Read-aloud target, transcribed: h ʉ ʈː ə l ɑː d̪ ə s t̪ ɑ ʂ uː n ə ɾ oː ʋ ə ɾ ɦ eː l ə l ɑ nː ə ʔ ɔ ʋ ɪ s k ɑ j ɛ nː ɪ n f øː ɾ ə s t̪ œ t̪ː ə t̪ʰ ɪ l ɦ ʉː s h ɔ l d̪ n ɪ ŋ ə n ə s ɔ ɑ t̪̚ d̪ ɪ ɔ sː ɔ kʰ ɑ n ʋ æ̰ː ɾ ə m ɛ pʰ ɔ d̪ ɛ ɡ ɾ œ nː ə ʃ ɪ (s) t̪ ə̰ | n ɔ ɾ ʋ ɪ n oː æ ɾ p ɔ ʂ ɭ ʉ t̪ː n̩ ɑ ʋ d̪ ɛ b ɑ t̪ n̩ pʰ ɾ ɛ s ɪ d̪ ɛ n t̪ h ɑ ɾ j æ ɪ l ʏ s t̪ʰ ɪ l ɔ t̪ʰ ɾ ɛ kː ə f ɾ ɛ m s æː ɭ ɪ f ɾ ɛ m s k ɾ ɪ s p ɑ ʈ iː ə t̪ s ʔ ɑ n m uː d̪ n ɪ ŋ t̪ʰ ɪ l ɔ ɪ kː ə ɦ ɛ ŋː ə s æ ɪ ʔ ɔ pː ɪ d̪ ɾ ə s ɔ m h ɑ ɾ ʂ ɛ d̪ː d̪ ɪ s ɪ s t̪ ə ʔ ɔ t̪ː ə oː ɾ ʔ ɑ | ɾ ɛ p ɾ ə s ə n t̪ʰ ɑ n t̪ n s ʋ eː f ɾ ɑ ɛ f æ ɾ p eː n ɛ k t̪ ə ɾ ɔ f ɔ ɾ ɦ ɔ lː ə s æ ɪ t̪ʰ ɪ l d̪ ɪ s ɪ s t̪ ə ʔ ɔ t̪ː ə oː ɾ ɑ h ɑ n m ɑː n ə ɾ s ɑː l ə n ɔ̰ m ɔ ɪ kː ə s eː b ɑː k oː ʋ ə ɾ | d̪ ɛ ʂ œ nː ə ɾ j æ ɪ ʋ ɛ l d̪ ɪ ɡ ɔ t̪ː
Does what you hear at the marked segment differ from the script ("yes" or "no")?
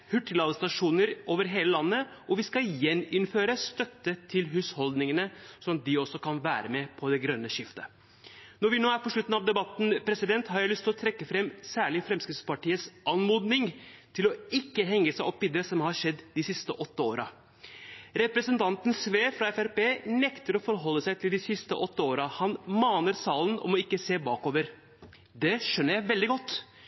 yes